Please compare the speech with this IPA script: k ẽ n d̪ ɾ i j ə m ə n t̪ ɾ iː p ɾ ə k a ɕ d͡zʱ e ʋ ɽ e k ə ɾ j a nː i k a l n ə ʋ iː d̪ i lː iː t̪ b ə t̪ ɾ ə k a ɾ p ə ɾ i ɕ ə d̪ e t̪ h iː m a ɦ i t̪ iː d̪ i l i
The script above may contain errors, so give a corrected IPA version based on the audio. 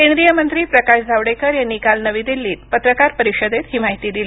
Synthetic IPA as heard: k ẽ n d̪ ɾ i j ə m ə n t̪ ɾ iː p ɾ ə k a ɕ d͡zʱ a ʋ ɽ e k ə ɾ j a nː i k a l n ə ʋ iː d̪ i lː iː t̪ p ə t̪ ɾ ə k a ɾ p ə ɾ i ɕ ə d̪ e t̪ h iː m a ɦ i t̪ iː d̪ i l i